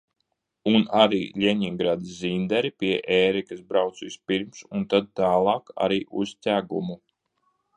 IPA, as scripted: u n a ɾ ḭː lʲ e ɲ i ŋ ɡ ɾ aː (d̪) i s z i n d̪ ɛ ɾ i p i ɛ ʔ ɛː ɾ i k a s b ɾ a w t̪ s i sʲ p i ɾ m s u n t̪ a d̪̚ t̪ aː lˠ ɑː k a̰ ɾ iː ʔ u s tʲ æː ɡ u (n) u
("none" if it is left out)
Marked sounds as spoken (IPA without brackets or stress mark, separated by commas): d̪, m